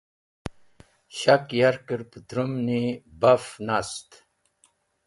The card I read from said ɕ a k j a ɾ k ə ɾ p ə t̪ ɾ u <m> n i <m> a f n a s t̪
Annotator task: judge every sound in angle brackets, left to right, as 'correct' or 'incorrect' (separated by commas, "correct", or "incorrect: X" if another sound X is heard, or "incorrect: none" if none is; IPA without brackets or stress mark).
correct, incorrect: b